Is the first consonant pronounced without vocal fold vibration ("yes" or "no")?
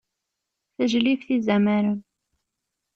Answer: yes